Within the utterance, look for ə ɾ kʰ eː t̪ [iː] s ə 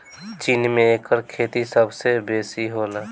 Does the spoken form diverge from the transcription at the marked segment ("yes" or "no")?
yes